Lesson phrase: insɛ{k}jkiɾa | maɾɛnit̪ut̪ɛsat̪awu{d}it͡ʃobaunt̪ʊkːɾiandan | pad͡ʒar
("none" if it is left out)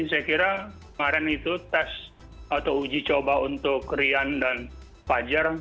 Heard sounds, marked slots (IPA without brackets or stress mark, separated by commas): none, d͡ʒ